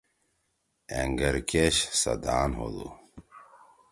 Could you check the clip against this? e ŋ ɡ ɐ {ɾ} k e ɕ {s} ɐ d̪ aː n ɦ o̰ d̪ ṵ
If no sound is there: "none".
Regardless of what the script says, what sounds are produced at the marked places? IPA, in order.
ɾ, s

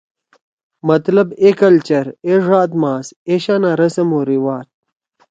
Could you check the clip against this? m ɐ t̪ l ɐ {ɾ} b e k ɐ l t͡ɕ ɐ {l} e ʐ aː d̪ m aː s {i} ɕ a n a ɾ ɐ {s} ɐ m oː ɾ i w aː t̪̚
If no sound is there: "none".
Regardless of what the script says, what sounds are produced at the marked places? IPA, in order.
none, ɾ, e, s

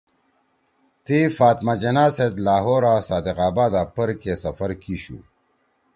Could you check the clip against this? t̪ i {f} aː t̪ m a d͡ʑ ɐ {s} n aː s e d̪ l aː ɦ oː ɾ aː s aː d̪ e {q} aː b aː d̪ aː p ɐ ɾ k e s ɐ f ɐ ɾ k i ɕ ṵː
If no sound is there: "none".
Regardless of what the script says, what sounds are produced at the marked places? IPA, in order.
f, none, q

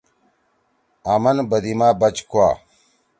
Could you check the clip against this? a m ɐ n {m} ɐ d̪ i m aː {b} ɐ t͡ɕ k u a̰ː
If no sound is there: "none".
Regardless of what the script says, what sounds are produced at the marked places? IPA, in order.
b, b

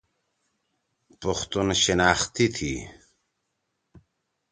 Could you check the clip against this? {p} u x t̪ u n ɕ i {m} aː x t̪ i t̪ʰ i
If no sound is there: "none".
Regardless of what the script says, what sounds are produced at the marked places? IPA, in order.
p, n

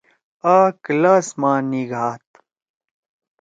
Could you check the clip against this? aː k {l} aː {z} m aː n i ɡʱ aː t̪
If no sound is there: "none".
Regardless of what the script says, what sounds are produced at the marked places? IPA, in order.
l, s

